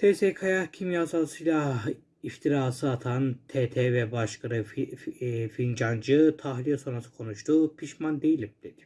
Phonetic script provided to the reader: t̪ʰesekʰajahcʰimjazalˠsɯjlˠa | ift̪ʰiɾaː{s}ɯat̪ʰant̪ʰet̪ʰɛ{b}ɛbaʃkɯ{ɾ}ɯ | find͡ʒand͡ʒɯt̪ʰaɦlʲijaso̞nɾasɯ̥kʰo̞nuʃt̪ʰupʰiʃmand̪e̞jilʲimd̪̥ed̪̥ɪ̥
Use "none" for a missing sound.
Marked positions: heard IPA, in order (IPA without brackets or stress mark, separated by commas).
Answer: s, v, ɾ